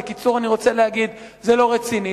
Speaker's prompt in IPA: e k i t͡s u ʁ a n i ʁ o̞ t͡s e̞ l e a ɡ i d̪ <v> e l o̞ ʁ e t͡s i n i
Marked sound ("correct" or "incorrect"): incorrect